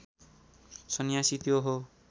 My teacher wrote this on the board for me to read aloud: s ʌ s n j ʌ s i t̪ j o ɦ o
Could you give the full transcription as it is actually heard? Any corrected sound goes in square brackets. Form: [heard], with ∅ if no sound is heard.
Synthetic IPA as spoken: s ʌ [∅] n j [a] s i t̪ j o ɦ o